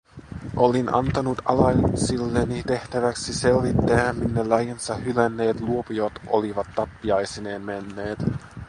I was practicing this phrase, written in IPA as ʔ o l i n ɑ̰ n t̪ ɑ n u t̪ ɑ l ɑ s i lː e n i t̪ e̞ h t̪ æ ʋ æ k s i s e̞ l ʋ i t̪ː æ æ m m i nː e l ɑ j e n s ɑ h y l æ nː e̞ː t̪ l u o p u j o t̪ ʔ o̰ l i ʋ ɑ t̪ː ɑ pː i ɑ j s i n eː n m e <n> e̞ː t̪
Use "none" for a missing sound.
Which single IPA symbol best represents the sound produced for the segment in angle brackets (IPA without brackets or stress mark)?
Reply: nː